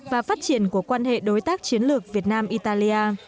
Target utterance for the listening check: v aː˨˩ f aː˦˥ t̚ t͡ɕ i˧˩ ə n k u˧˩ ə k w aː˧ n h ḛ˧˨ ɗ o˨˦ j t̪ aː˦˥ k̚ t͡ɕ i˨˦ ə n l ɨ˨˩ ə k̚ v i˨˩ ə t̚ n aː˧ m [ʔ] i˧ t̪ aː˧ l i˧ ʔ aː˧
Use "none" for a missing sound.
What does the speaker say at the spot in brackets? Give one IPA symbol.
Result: ʔ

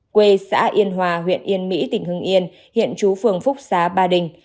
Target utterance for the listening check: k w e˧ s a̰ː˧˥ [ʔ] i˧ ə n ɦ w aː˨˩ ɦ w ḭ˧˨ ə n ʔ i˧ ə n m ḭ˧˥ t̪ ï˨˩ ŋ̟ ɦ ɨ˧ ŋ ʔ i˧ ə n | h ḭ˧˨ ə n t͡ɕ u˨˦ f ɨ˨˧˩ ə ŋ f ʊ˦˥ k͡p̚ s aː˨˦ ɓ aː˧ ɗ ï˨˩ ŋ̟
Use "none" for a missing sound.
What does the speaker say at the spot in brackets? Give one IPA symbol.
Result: ʔ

